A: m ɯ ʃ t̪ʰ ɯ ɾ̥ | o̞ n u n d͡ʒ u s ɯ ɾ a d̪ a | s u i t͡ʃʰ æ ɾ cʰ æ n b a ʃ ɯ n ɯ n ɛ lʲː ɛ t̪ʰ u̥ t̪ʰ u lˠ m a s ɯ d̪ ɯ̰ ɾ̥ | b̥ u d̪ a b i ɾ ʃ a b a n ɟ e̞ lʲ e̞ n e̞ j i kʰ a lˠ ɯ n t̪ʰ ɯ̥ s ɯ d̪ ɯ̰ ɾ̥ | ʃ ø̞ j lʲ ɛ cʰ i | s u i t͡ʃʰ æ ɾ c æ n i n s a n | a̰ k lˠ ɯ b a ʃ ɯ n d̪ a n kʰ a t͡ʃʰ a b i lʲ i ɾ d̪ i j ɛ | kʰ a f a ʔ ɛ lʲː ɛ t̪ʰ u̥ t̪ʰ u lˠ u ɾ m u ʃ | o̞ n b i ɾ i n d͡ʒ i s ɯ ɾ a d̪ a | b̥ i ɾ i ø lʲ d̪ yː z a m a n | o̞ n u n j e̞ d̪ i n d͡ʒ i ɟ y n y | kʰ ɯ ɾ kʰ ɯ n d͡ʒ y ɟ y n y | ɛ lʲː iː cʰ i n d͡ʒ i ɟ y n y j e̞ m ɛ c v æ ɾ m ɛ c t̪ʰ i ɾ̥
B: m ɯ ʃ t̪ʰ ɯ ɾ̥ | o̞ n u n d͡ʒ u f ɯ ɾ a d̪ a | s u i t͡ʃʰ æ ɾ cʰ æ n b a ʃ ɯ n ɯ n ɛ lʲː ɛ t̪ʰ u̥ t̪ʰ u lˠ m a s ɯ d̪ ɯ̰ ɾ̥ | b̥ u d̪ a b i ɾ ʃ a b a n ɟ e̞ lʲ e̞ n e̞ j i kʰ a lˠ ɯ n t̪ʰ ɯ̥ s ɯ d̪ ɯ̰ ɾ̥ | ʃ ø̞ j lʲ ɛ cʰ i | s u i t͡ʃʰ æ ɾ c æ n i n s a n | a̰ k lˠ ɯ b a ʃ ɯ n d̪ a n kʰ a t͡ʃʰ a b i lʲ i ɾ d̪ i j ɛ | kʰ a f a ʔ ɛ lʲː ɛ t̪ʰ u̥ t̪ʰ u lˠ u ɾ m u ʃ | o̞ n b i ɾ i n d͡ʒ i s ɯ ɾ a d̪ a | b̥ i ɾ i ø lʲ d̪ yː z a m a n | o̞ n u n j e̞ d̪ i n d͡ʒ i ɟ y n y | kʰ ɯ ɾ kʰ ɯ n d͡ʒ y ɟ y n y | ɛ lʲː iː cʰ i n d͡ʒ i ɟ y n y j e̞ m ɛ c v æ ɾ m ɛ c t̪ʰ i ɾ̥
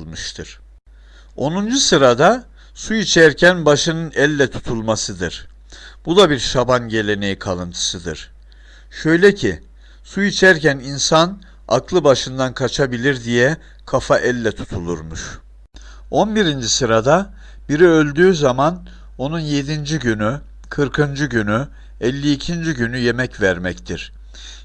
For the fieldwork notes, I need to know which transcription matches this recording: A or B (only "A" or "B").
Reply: A